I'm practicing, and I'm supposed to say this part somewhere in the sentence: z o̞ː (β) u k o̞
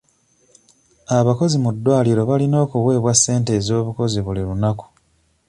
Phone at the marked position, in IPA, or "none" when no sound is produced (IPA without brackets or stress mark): β